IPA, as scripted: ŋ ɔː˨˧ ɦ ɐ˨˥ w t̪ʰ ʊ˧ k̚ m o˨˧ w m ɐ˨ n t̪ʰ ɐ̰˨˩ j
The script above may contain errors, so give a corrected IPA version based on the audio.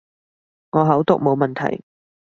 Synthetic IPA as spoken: ŋ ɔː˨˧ ɦ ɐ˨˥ w t̪ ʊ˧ k̚ m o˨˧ w m ɐ˨ n t̪ʰ ɐ̰˨˩ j